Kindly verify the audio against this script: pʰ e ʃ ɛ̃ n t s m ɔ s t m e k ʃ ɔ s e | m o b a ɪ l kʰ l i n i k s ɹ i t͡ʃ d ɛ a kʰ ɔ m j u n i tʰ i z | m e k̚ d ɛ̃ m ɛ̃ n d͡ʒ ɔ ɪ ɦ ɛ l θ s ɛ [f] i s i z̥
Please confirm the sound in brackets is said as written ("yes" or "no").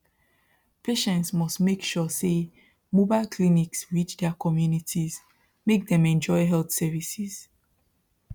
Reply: no